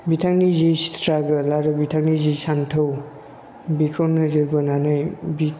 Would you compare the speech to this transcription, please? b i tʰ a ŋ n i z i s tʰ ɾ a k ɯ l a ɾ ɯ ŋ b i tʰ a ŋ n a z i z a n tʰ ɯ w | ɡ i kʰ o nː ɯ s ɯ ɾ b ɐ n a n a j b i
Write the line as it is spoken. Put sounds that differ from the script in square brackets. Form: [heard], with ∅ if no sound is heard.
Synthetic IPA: b i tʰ a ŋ n i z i s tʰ ɾ a [ɡ] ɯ l a ɾ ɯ [∅] b i tʰ a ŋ n [i] z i [s] a n tʰ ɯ w | [b] i kʰ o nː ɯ [z] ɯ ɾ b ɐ n a n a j b i